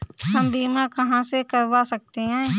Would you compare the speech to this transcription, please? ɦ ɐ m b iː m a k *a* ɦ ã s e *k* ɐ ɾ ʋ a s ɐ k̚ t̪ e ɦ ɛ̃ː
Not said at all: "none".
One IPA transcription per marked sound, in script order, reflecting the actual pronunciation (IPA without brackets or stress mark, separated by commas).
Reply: ɐ, k